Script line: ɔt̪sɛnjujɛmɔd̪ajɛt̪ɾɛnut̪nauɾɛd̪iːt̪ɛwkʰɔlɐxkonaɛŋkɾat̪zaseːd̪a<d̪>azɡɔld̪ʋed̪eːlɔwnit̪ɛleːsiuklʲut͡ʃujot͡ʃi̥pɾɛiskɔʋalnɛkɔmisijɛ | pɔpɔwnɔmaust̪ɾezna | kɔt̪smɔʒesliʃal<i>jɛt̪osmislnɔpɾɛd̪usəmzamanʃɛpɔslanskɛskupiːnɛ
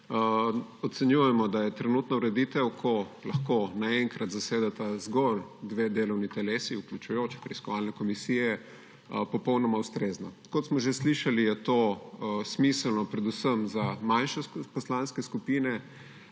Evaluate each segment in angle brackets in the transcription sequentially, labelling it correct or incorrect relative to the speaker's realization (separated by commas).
incorrect, correct